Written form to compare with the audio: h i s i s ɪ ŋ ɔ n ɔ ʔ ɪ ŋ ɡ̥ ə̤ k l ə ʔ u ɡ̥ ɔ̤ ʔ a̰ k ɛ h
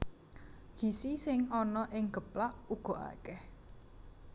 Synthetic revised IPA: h i s i s ɪ ŋ ɔ n ɔ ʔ ɪ ŋ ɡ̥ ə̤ p l a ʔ u ɡ̥ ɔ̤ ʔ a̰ k ɛ h